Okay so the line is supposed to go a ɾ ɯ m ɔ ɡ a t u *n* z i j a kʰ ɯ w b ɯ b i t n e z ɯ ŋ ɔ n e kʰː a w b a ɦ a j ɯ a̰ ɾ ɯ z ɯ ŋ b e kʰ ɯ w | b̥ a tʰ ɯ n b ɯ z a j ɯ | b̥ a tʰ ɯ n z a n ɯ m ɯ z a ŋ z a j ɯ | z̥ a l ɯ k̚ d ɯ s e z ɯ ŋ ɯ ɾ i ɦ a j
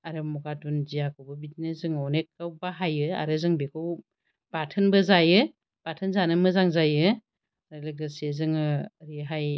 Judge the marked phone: correct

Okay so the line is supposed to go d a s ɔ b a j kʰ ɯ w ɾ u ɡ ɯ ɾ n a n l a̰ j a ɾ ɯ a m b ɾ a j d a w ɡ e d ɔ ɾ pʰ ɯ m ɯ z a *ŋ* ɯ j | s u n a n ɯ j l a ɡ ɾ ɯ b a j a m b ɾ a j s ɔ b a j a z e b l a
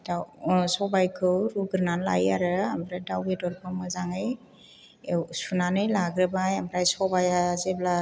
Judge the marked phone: correct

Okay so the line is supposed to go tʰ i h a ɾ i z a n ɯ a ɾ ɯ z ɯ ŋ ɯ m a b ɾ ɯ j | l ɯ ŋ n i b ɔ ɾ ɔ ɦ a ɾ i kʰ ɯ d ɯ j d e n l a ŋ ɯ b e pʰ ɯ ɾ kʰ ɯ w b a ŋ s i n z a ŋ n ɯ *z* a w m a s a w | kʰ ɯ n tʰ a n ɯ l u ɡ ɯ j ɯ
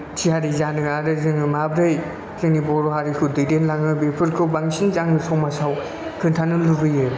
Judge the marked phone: incorrect: s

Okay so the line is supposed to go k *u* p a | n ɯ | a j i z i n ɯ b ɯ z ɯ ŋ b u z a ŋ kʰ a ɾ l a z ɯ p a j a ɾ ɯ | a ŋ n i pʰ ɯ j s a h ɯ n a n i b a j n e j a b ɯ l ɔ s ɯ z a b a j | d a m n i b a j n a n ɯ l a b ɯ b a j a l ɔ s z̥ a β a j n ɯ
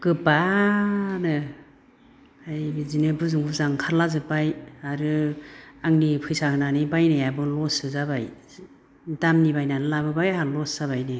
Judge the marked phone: incorrect: ɯ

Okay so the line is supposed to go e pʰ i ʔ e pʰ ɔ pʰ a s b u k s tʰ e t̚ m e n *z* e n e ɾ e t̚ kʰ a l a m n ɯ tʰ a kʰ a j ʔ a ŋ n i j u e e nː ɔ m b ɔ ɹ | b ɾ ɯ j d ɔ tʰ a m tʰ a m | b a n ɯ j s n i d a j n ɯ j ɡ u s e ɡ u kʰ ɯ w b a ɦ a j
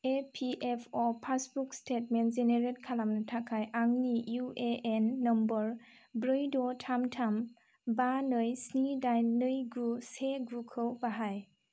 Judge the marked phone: correct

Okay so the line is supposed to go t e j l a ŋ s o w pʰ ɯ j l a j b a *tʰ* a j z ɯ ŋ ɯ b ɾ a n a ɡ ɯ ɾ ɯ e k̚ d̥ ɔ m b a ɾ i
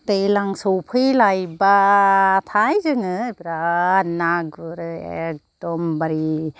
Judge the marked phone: correct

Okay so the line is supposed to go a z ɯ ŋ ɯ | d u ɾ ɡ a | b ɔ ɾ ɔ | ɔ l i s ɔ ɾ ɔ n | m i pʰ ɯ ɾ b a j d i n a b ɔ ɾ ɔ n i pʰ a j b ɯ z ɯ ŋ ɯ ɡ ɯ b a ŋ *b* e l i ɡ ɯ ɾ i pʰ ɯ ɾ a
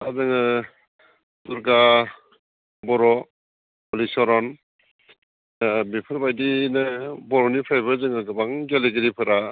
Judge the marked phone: incorrect: ɡ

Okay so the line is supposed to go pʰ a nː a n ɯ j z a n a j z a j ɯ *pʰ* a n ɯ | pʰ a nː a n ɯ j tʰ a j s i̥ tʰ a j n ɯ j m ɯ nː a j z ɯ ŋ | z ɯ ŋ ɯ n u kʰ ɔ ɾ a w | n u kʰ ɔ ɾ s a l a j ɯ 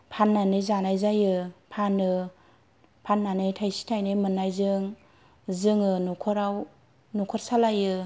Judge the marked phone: correct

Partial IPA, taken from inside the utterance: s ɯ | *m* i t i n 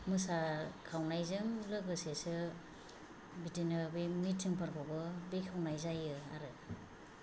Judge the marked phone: incorrect: b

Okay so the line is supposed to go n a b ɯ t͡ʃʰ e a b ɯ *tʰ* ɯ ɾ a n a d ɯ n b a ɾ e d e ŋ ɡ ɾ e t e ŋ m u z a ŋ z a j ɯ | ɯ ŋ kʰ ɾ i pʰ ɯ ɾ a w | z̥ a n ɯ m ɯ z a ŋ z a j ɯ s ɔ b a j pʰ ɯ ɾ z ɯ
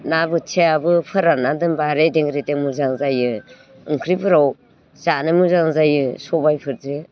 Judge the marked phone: incorrect: pʰ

